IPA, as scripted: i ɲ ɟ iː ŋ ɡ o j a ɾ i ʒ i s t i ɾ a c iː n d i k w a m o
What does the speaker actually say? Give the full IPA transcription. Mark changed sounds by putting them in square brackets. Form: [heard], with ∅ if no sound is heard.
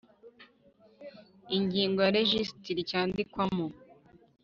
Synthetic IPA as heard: i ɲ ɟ iː ŋ ɡ o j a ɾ [e] ʒ i s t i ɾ [i] c [aː] n d i k w a m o